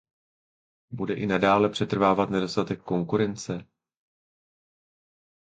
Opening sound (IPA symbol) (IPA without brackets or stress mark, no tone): b